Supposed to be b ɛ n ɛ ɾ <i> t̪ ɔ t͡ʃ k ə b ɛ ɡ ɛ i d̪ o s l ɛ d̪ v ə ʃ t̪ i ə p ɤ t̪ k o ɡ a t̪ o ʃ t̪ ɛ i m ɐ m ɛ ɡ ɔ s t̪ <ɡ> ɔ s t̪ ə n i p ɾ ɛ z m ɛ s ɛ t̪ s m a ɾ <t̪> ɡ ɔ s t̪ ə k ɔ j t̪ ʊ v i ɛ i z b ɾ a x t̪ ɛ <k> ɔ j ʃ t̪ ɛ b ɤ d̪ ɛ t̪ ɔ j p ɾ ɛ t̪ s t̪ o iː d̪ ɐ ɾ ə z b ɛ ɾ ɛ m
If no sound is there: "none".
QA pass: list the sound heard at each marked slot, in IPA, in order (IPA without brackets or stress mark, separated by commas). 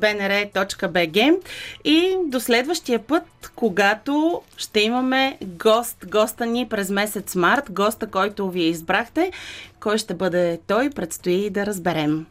ɛ, ɡ, t̪, k